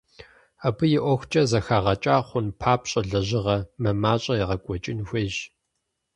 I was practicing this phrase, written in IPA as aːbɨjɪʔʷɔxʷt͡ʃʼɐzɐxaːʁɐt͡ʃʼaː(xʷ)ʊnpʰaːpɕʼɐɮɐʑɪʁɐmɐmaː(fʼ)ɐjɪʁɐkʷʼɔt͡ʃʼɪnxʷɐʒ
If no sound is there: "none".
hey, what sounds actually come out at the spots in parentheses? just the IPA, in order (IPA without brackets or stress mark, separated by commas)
χʷ, ɕʼ